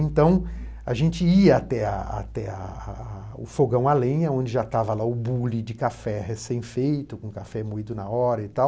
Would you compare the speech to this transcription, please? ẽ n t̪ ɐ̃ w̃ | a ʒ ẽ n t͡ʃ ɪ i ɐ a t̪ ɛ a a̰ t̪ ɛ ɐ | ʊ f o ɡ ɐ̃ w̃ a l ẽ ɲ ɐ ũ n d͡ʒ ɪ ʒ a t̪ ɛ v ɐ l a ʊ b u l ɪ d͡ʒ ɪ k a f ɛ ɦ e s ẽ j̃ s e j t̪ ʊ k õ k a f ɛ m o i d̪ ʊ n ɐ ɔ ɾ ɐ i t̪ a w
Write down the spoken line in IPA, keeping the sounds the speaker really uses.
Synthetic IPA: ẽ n t̪ ɐ̃ w̃ | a ʒ ẽ n t͡ʃ ɪ i ɐ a t̪ ɛ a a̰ t̪ ɛ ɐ | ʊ f o ɡ ɐ̃ w̃ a l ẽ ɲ ɐ õ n d͡ʒ ɪ ʒ a t̪ a v ɐ l a ʊ b u l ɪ d͡ʒ ɪ k a f ɛ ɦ e s ẽ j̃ f e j t̪ ʊ k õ k a f ɛ m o i d̪ ʊ n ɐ ɔ ɾ ɐ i t̪ a w